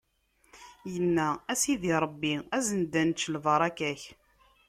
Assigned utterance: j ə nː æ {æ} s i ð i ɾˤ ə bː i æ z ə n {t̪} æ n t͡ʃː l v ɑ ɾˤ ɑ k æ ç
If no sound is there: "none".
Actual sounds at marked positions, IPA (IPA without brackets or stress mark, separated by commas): æ, d̪